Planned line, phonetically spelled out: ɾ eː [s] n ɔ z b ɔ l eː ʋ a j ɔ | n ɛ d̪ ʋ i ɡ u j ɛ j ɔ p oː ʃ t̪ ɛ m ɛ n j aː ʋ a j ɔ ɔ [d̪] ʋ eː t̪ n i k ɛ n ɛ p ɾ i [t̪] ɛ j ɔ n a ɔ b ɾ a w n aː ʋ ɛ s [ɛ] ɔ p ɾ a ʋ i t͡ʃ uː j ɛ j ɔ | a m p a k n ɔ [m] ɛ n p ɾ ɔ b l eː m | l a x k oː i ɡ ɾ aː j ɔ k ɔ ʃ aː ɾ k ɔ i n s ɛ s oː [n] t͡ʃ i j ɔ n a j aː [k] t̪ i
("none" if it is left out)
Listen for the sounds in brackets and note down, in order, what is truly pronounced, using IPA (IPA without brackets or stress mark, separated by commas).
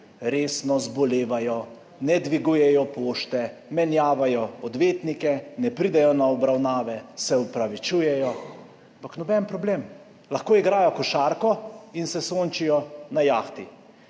s, d̪, d̪, ɛ, b, n, x